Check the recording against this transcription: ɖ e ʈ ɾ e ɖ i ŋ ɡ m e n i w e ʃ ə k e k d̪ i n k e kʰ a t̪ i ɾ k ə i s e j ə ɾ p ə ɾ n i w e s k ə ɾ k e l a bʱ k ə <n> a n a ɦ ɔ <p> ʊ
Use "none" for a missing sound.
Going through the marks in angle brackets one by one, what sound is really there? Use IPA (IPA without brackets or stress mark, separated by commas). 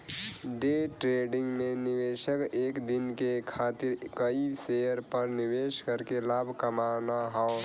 m, none